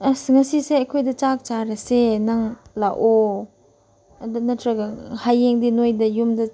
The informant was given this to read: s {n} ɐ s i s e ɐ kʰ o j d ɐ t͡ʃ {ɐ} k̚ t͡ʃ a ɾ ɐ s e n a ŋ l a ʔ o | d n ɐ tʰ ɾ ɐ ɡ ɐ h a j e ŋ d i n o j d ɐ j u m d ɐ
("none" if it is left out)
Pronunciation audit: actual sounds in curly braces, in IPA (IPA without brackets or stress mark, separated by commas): ŋ, a